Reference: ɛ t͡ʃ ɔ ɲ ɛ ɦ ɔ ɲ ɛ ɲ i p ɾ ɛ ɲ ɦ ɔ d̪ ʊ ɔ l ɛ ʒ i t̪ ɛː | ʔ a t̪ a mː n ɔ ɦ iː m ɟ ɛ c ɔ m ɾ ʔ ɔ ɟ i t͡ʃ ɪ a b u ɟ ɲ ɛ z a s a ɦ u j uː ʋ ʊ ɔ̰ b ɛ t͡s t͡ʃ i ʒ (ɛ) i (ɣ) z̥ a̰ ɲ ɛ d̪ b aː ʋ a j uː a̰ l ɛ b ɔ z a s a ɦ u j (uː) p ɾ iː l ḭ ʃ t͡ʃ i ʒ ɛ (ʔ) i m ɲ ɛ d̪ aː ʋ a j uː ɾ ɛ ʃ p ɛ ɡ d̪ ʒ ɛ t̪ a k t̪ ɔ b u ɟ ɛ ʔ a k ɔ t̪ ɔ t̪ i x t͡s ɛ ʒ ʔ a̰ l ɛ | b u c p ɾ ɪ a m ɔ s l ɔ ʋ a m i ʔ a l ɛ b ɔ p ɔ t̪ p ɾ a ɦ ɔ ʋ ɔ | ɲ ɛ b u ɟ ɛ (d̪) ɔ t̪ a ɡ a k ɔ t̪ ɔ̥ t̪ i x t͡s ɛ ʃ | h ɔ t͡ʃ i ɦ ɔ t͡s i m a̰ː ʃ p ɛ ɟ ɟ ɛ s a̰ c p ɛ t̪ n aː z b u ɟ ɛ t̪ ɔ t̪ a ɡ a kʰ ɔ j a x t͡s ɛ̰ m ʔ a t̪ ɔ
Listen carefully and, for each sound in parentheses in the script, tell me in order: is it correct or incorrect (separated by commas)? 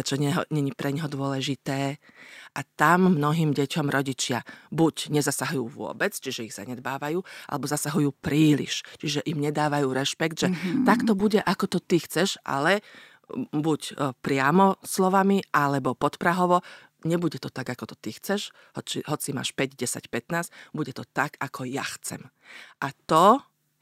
correct, correct, correct, correct, incorrect